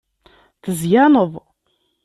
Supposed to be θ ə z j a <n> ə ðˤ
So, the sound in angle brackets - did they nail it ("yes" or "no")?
yes